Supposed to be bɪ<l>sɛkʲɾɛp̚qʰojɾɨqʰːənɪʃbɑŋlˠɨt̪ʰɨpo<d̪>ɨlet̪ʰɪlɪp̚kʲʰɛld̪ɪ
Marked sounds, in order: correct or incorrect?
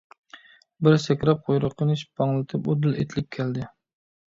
incorrect: ɾ, correct

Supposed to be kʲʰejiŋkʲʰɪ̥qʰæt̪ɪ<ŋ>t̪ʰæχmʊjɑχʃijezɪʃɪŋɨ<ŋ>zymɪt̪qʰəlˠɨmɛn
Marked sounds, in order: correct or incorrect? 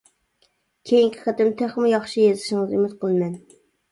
incorrect: m, incorrect: none

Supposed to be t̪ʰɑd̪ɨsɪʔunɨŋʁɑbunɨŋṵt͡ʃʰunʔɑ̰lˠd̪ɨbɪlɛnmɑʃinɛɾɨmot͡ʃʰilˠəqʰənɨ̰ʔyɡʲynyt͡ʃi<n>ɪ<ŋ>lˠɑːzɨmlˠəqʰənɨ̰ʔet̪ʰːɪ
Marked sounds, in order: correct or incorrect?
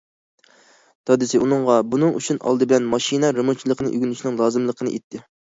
correct, correct

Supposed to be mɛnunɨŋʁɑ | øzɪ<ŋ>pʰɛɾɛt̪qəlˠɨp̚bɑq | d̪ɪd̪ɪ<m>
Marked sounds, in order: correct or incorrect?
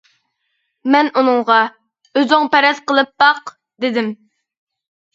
correct, correct

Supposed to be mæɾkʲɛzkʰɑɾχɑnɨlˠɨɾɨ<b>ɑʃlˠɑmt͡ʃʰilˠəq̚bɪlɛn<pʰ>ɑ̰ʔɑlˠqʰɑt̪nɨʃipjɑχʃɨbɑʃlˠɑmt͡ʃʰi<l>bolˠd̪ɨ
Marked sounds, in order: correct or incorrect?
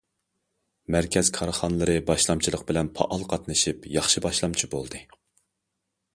correct, correct, incorrect: none

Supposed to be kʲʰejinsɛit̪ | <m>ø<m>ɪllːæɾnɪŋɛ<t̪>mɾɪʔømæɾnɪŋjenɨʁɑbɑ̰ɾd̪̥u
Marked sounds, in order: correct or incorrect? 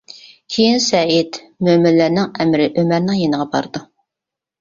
correct, correct, incorrect: none

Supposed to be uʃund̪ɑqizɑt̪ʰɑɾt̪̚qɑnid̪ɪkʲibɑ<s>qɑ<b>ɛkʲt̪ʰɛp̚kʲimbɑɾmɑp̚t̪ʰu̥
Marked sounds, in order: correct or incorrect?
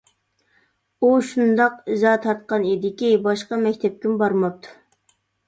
incorrect: ʃ, incorrect: m

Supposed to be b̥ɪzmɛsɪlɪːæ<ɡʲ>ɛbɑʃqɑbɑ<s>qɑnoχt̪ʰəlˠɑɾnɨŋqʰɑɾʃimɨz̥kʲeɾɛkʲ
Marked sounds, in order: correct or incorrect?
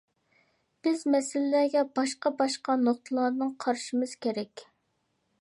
correct, incorrect: ʃ

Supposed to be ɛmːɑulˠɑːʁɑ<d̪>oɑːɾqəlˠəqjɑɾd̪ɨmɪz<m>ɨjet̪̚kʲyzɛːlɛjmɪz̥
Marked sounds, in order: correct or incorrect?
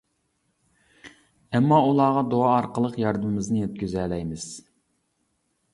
correct, incorrect: n

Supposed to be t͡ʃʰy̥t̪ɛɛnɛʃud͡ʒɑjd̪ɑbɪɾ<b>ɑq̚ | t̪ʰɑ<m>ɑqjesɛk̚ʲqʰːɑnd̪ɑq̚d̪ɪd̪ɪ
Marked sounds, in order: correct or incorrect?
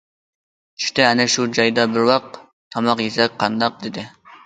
incorrect: w, correct

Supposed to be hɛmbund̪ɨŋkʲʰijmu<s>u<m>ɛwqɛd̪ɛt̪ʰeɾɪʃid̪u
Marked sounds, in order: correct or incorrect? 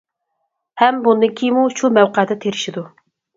incorrect: ʃ, correct

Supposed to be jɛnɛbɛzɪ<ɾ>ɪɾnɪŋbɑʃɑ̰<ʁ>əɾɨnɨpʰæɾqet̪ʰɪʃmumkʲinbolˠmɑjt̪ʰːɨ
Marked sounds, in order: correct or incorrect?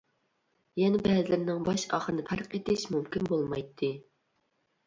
incorrect: l, incorrect: χ

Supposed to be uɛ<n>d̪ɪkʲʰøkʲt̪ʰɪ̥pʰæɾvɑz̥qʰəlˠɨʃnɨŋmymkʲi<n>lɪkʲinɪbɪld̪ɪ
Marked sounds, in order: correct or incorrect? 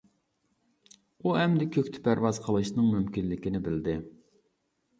incorrect: m, correct

